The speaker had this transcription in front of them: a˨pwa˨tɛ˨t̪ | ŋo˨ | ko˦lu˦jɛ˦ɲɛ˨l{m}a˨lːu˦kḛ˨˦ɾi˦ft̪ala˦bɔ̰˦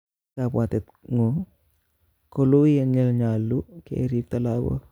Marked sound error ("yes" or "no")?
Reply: yes